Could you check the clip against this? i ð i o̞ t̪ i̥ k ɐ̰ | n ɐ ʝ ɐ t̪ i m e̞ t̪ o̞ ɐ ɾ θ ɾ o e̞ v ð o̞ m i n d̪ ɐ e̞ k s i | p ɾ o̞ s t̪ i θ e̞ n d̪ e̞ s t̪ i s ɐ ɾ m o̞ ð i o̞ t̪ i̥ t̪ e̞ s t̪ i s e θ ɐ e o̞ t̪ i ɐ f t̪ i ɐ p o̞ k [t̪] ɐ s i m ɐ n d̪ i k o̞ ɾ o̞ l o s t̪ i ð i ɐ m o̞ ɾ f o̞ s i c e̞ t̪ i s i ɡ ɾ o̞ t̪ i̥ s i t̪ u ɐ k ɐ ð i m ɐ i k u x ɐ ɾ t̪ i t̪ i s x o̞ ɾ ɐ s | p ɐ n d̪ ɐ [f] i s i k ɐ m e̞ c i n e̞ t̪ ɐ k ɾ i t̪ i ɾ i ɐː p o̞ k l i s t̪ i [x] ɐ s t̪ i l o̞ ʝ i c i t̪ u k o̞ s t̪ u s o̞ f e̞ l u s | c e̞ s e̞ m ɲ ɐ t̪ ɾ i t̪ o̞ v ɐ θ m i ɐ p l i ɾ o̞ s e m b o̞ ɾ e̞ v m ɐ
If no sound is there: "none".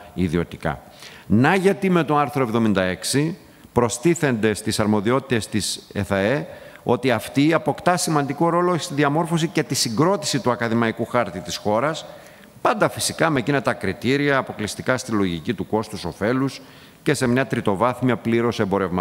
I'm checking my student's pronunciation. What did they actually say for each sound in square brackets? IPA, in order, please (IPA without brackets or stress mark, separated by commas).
t̪, f, k